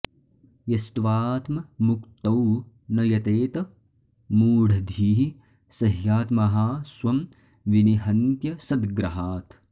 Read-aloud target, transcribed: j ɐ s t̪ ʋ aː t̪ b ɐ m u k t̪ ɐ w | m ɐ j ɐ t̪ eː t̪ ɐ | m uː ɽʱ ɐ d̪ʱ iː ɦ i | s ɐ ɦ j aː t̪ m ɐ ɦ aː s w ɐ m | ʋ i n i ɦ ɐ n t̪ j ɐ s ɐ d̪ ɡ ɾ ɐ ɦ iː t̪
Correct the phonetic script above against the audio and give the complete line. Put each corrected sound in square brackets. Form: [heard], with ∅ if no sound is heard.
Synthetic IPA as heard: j ɐ s t̪ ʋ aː t̪ [m] ɐ m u k t̪ ɐ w | [n] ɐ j ɐ t̪ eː t̪ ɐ | m uː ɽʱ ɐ d̪ʱ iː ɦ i | s ɐ ɦ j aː t̪ m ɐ ɦ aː s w ɐ m | ʋ i n i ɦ ɐ n t̪ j ɐ s ɐ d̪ ɡ ɾ ɐ ɦ [aː] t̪